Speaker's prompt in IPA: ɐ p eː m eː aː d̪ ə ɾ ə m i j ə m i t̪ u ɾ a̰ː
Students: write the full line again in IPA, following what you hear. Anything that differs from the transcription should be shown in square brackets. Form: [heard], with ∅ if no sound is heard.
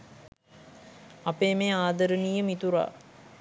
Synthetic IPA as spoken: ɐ p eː m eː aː d̪ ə ɾ ə [n] i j ə m i t̪ u ɾ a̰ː